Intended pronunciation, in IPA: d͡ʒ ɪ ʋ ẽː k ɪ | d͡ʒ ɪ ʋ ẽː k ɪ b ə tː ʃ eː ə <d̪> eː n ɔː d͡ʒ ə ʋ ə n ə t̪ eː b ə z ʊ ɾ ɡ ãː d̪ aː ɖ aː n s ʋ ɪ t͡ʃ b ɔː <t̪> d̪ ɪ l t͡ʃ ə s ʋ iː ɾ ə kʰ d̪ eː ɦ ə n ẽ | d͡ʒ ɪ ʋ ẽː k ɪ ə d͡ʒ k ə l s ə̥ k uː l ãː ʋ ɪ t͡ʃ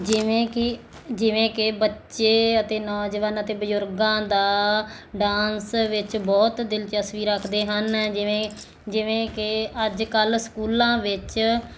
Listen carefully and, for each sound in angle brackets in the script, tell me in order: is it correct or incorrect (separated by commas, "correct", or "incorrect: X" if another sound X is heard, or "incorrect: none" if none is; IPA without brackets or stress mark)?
incorrect: t̪, correct